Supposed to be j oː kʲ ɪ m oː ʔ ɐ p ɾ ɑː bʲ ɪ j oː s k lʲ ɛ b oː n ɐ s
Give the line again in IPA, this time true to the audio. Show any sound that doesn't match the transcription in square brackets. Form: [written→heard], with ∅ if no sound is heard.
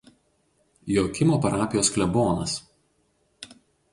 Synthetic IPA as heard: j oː kʲ ɪ m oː [ʔ→p] ɐ [p→∅] ɾ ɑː [bʲ→pʲ] ɪ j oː s k lʲ ɛ b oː n ɐ s